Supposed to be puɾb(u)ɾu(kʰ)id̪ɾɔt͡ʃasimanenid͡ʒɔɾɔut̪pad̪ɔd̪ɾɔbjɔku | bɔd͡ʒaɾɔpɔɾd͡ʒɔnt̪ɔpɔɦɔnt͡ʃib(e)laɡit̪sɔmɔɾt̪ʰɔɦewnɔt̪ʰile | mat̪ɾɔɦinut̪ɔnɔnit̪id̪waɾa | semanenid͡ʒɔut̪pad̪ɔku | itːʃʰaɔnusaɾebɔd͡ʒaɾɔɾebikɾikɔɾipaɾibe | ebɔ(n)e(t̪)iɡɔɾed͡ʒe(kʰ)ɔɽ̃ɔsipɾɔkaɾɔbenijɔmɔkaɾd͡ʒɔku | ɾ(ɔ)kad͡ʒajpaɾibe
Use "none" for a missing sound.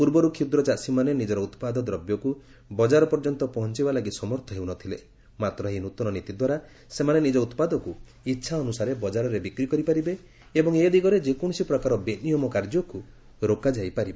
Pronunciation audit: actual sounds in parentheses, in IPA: ɔ, kʰ, a, ŋ, d̪, k, o

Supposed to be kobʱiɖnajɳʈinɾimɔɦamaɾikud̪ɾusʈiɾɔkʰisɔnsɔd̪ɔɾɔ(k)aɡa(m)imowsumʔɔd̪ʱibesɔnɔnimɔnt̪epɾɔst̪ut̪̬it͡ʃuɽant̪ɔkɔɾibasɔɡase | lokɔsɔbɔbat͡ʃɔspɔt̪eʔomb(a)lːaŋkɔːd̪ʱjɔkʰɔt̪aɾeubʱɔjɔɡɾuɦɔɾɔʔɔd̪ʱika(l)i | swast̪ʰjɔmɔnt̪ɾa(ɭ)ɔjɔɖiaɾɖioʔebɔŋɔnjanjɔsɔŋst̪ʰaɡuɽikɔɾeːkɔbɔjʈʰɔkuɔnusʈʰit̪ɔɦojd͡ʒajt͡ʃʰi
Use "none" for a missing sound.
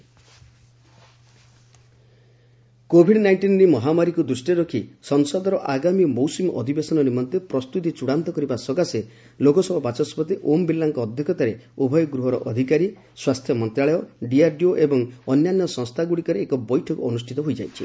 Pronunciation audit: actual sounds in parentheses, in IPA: ʔ, m, i, ɾ, ɭ

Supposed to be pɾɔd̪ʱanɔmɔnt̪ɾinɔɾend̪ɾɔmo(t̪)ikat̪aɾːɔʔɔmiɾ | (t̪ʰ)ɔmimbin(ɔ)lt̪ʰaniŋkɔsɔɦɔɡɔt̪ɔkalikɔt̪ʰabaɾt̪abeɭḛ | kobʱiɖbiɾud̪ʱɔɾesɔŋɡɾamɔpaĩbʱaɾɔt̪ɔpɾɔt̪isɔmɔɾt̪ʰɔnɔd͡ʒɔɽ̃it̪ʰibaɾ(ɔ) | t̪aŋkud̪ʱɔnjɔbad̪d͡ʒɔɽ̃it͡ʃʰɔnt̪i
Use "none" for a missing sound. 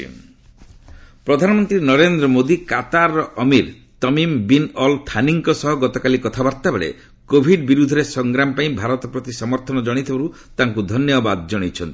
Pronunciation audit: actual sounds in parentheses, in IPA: d̪, t̪, ɔ, u

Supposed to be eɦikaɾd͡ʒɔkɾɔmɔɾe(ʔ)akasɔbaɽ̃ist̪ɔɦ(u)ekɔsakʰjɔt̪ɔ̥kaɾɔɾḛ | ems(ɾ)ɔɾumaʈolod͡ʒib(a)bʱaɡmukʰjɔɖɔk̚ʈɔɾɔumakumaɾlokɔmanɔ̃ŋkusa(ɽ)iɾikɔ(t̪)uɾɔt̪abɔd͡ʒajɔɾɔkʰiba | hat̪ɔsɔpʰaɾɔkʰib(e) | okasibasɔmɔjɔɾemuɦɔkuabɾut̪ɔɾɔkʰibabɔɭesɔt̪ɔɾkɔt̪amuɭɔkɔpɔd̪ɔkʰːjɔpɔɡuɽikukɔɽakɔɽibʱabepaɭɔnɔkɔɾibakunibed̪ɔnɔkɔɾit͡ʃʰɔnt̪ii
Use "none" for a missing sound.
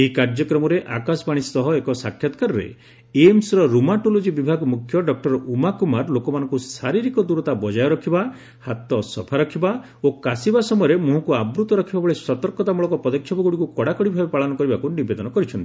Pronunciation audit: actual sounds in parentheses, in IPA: ʔ, ɔ, ɾ, i, ɾ, d̪, a

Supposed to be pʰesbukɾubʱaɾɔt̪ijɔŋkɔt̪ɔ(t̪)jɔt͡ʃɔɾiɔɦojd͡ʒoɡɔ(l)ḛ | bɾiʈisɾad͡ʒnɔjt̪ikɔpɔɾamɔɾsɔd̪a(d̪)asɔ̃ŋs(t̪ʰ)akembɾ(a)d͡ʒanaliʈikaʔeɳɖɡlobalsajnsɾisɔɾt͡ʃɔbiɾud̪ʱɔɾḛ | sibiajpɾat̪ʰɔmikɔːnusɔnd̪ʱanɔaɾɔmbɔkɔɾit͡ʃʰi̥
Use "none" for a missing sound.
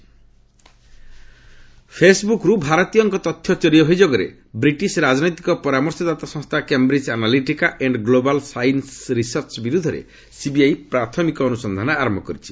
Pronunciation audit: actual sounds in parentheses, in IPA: t̪ʰ, ɾ, t̪, t̪ʰ, i

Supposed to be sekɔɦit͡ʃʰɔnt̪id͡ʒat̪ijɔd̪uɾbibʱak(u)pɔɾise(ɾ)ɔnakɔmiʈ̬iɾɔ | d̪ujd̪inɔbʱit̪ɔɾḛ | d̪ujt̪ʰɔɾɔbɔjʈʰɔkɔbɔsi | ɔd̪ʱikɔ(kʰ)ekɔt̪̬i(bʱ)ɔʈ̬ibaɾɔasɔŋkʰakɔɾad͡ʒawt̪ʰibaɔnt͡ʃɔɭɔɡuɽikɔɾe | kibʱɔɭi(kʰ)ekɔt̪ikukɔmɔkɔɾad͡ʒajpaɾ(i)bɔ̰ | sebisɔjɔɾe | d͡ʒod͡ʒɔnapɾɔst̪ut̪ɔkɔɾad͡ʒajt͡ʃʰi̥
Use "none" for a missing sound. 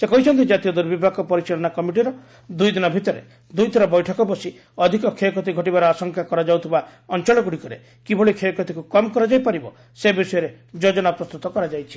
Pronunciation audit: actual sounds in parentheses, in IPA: ɔ, ɭ, kʰ, ɡʱ, kʰ, i

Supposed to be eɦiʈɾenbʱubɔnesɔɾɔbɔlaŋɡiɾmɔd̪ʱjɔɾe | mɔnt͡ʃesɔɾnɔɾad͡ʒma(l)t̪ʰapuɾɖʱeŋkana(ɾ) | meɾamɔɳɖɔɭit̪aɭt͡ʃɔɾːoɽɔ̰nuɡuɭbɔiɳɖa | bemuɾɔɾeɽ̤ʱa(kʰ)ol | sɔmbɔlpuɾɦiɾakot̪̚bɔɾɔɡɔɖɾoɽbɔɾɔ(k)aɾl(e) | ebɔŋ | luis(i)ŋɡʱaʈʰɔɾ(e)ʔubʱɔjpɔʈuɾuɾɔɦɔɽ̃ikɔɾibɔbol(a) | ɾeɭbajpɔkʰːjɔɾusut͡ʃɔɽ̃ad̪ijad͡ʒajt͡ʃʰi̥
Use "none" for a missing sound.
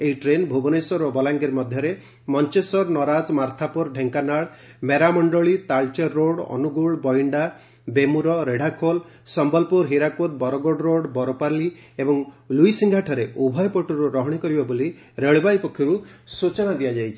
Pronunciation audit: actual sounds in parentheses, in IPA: ɾ, ɭ, kʰ, p, i, i, e, i

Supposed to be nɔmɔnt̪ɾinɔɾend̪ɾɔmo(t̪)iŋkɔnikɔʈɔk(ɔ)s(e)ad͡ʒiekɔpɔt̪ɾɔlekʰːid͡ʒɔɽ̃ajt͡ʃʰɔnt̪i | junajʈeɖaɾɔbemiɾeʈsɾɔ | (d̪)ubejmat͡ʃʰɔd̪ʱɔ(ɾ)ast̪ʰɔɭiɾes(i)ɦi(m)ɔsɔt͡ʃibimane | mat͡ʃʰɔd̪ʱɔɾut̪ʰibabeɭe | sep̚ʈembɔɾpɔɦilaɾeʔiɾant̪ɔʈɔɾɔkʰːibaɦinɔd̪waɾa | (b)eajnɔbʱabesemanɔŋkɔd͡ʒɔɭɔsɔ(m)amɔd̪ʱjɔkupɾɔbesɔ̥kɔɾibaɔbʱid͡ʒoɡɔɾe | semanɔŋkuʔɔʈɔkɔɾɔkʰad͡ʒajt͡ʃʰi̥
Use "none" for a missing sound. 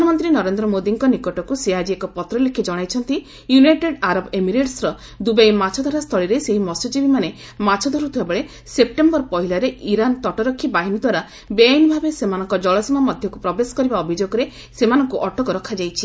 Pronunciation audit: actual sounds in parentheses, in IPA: d̪, u, e, d̪, ɾ, e, m, b, m

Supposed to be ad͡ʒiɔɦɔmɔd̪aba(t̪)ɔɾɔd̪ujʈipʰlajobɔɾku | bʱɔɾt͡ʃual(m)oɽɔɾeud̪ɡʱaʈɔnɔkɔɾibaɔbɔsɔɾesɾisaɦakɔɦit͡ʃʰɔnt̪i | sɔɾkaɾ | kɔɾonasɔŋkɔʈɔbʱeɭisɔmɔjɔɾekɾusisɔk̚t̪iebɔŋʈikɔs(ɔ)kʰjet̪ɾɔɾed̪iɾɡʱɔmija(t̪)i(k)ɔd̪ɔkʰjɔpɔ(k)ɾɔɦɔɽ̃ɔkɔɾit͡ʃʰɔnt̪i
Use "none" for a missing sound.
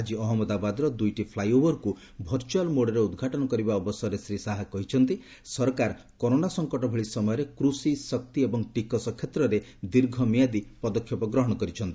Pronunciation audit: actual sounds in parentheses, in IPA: d̪, m, ɔ, d̪, p, ɡ

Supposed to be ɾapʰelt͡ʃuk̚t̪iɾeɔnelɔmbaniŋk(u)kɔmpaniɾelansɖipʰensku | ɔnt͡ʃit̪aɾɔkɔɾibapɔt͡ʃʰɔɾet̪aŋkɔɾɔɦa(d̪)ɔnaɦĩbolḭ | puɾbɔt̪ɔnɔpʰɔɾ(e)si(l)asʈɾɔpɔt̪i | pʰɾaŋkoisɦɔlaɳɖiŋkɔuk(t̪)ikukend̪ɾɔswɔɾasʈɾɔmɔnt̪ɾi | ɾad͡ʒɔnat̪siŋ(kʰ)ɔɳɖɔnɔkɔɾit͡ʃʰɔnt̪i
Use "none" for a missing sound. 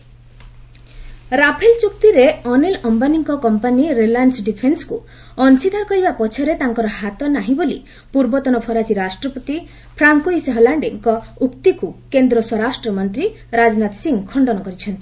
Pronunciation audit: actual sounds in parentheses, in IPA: ɔ, t̪, a, ɾ, t̪, kʰ

